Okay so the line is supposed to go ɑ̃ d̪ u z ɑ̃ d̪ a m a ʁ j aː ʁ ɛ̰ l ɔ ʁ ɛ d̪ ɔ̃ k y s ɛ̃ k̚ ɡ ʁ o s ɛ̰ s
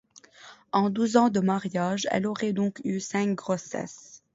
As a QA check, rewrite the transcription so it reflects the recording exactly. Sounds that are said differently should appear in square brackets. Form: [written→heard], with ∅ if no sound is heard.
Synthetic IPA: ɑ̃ d̪ u z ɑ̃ d̪ [a→ə] m a ʁ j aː [ʁ→ʒ] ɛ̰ l ɔ ʁ ɛ d̪ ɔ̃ k y s ɛ̃ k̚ ɡ ʁ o s ɛ̰ s